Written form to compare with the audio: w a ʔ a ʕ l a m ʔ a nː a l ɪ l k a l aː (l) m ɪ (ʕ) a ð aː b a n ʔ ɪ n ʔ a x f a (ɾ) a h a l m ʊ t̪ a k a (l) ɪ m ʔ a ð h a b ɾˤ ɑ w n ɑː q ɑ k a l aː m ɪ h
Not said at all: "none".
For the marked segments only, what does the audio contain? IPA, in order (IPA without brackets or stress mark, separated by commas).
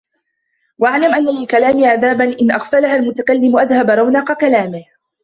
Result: none, ʕ, l, lː